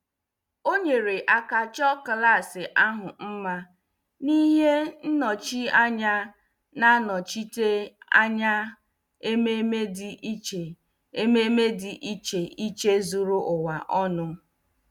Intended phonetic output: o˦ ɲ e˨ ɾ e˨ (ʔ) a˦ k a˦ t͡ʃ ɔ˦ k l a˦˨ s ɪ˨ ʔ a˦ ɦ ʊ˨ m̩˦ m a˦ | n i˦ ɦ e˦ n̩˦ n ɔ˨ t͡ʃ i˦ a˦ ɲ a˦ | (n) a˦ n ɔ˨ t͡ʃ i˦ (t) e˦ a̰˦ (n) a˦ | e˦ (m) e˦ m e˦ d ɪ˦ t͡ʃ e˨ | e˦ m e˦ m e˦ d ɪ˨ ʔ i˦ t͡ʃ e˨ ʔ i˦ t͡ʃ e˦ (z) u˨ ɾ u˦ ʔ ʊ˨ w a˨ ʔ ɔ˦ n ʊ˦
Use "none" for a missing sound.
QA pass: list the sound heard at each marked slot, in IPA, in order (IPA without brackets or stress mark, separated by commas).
ʔ, n, t, ɲ, m, z